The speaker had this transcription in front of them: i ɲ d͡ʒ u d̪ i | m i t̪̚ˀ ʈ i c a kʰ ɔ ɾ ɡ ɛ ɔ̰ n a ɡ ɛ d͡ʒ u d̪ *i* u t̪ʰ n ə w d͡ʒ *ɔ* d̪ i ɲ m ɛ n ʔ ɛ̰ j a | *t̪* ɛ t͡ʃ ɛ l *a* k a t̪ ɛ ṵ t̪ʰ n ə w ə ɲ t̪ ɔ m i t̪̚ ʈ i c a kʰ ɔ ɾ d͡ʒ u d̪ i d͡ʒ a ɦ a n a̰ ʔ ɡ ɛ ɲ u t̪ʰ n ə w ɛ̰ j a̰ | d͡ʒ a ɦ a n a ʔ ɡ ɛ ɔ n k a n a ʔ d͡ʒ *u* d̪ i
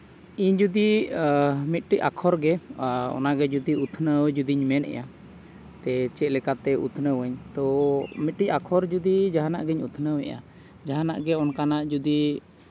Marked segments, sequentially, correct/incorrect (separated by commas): correct, incorrect, correct, incorrect, correct